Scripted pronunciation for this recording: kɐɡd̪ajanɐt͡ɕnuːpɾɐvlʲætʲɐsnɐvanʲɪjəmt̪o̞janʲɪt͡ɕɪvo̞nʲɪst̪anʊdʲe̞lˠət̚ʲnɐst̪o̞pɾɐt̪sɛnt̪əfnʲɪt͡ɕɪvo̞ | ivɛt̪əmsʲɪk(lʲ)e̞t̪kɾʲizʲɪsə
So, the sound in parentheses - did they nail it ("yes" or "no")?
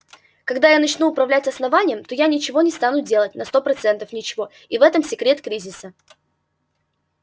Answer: no